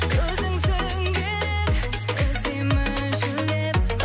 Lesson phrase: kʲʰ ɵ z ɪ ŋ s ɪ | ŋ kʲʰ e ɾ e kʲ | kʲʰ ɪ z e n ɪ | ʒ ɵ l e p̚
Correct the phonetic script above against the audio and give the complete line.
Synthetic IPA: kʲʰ ɵ z ɪ ŋ s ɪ | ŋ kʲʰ e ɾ e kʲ | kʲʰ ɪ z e m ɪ | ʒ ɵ l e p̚